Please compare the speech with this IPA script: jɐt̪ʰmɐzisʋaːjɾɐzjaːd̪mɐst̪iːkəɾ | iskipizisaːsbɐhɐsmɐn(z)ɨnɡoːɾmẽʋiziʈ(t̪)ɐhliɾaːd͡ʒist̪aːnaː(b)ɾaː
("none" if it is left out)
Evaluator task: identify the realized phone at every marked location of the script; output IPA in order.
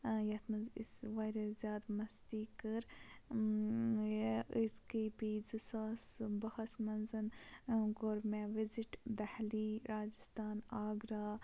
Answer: z, d̪, ɡ

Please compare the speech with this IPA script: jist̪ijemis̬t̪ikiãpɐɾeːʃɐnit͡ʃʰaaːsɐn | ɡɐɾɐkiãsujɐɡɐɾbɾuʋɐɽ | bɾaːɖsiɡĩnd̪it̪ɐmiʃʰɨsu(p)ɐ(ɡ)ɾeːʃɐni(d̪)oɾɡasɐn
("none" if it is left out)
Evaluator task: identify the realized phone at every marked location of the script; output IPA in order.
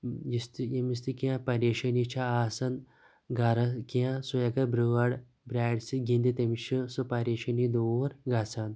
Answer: p, none, d̪

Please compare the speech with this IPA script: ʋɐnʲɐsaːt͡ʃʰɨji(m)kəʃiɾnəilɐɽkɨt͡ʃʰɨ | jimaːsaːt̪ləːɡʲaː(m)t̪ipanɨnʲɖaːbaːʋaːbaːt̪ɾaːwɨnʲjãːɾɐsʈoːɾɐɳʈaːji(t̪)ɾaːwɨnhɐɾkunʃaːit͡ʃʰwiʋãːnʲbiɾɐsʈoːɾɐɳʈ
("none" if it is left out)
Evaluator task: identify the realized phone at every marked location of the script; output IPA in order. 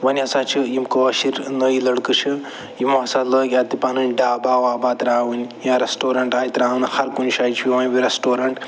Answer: m, none, t̪

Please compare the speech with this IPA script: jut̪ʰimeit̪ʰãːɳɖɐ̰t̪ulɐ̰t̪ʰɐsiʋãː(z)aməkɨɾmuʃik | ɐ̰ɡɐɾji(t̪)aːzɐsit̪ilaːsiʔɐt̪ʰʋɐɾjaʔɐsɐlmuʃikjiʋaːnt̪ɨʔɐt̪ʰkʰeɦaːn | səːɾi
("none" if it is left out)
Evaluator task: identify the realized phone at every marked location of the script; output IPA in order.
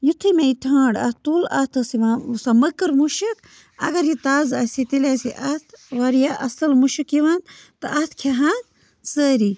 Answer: s, t̪

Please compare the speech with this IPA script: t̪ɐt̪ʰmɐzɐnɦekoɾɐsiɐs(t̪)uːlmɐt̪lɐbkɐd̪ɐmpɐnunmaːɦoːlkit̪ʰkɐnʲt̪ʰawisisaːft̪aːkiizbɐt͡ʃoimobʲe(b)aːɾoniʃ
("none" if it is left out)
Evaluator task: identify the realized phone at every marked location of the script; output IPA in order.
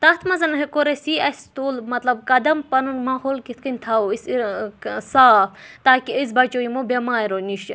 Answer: t̪, m

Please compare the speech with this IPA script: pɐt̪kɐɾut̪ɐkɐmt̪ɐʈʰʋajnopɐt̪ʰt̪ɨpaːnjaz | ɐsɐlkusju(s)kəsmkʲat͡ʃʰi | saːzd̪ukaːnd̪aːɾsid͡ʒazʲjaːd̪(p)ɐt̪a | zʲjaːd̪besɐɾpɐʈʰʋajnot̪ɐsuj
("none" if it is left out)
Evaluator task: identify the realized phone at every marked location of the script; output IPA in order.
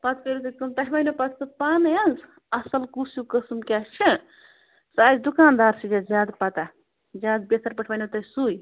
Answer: none, p

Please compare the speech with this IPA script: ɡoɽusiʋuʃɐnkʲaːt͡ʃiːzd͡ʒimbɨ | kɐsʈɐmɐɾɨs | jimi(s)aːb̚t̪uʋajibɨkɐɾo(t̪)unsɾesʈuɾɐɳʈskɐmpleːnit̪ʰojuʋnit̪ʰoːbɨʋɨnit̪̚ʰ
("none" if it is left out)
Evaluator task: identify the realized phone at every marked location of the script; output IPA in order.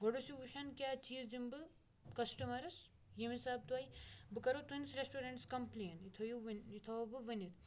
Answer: s, t̪

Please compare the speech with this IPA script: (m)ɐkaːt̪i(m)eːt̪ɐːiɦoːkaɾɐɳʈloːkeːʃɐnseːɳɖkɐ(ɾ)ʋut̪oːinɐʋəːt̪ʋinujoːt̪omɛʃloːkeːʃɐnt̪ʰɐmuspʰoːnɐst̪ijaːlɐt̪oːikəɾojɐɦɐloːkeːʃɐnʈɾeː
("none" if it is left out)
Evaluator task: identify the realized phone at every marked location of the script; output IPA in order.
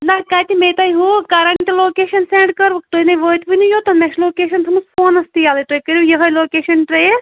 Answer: n, m, ɾ

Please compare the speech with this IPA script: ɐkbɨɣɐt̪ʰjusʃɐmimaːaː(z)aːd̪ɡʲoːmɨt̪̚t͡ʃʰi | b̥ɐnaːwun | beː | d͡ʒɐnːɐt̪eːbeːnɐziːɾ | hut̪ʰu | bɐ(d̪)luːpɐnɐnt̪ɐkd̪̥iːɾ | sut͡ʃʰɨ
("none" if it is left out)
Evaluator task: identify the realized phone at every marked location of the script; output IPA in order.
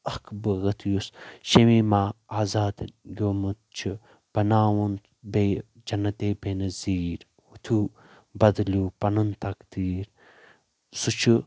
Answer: z, d̪

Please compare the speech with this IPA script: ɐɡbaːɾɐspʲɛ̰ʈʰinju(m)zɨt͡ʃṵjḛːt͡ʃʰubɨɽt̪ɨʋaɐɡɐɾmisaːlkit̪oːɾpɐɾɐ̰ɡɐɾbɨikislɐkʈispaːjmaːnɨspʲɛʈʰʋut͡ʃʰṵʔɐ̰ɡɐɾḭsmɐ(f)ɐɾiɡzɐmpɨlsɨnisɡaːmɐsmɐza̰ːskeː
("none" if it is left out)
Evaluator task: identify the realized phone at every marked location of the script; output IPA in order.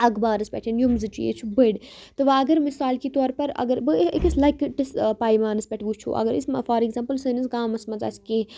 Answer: m, f

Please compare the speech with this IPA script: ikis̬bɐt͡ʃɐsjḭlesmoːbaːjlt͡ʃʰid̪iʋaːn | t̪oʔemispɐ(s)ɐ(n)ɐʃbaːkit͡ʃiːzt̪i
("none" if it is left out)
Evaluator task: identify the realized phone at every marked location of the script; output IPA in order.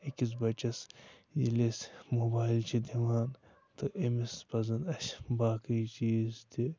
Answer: z, n

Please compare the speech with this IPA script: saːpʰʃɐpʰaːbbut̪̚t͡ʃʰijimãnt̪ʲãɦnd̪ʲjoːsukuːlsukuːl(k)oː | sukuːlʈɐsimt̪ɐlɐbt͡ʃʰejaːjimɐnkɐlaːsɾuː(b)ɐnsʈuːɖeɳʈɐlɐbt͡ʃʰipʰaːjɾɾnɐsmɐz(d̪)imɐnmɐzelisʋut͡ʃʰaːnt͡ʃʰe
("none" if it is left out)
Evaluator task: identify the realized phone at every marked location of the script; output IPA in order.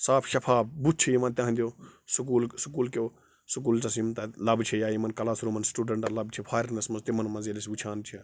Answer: k, m, t̪

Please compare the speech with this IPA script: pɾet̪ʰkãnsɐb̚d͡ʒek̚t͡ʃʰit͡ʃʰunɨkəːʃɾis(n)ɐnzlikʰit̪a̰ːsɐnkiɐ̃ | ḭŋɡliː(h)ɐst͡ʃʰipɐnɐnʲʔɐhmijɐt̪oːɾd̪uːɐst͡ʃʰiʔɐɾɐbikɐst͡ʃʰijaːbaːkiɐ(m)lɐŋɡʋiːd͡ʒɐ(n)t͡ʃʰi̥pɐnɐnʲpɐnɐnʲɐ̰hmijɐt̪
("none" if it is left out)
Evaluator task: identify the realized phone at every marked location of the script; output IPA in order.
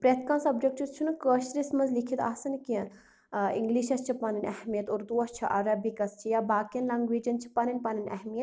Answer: m, ʃ, n, n

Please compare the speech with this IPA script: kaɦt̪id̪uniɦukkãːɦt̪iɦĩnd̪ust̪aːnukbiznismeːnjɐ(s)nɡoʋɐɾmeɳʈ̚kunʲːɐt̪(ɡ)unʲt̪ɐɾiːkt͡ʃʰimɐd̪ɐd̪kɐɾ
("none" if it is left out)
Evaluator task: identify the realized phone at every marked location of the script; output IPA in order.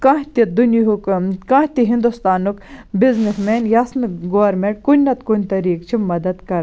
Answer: s, k

